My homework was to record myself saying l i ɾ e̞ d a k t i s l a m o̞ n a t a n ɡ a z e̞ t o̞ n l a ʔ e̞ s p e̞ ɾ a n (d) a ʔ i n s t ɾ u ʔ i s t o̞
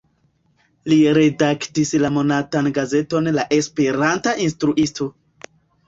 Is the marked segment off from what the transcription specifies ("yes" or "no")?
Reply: yes